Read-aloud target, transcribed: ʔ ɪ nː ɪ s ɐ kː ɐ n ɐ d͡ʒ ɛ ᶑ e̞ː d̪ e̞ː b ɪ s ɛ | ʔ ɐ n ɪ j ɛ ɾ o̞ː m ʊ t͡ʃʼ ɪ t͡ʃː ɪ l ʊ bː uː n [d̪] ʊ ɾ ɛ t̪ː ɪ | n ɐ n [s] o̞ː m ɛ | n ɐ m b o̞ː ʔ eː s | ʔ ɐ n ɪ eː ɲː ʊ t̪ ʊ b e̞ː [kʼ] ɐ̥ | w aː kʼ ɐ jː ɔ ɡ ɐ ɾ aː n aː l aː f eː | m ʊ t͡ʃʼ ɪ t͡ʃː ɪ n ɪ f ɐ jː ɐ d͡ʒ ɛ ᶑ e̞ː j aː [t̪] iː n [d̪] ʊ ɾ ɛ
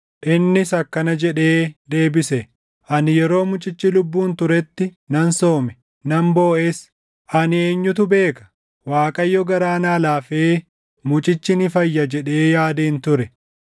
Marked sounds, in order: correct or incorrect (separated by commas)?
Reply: incorrect, correct, incorrect, incorrect, incorrect